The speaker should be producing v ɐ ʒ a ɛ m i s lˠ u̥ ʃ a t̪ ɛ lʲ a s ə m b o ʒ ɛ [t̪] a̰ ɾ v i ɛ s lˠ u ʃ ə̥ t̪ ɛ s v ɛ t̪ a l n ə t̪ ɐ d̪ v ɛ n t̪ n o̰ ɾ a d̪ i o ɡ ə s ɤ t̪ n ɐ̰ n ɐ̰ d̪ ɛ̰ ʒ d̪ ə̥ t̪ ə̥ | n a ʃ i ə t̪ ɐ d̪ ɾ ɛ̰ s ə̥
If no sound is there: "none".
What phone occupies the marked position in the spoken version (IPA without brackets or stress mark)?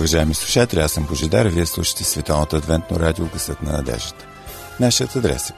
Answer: d̪